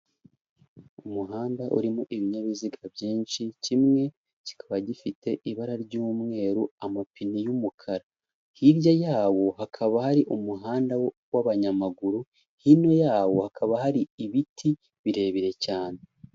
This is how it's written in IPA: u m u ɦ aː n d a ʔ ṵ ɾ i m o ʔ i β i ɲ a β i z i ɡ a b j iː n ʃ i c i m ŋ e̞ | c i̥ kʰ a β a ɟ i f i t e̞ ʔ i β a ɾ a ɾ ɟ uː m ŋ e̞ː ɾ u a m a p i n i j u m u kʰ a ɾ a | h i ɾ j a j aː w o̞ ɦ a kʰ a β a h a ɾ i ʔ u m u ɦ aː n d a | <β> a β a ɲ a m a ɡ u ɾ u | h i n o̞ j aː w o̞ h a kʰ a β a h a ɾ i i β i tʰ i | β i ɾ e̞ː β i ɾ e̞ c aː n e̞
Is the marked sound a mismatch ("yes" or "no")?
yes